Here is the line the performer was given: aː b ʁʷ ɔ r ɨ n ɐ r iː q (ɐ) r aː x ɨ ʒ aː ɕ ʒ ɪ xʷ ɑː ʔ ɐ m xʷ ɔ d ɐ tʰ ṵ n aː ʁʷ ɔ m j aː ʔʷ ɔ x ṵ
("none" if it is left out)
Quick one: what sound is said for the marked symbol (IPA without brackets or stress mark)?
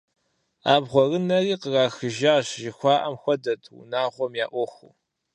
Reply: ə